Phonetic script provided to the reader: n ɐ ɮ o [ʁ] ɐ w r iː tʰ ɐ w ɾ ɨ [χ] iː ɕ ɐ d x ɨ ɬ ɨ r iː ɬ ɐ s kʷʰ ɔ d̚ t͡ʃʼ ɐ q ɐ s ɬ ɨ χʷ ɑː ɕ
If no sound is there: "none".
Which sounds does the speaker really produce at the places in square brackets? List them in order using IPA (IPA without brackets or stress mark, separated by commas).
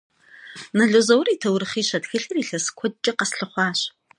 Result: z, χ